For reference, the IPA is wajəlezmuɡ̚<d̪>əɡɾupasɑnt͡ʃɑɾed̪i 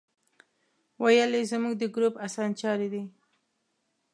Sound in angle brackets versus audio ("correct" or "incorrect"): correct